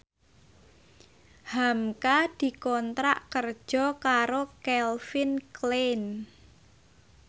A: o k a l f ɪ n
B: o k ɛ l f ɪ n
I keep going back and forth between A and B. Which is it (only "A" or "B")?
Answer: B